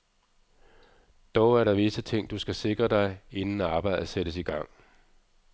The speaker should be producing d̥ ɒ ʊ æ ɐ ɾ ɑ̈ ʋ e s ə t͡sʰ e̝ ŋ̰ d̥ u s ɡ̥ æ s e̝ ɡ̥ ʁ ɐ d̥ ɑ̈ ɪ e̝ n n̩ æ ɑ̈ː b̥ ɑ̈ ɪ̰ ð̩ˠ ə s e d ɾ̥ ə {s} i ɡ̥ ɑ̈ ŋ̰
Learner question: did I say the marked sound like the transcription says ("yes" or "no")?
yes